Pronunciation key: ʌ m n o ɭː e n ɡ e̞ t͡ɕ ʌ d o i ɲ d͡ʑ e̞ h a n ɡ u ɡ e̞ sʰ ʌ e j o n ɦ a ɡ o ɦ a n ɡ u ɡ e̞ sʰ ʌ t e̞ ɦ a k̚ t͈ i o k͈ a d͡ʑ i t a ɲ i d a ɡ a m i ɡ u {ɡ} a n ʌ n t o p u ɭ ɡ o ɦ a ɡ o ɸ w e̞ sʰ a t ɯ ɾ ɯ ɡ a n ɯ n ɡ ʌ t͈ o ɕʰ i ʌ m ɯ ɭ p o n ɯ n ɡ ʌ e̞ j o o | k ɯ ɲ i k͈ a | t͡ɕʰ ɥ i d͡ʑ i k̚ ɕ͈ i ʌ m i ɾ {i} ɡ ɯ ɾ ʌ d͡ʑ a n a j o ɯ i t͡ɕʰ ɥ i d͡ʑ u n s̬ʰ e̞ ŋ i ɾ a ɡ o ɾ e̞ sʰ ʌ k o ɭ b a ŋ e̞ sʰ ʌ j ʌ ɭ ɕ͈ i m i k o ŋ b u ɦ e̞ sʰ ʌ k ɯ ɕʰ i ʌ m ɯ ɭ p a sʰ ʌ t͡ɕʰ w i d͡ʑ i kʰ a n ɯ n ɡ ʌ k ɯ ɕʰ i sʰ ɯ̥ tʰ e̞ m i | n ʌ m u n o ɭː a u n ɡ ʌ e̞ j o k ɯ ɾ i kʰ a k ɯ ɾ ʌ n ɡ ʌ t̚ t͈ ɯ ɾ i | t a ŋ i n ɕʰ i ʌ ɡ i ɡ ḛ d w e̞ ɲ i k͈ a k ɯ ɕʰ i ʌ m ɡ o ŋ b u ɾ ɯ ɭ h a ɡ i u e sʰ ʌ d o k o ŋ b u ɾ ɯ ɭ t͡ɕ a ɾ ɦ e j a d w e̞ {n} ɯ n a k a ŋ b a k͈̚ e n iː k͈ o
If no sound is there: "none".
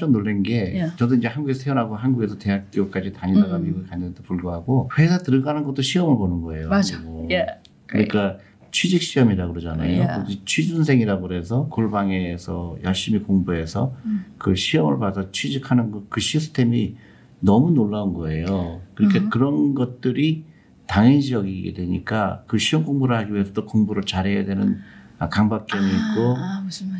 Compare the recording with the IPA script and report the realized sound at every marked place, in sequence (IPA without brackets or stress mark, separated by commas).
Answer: k, a, n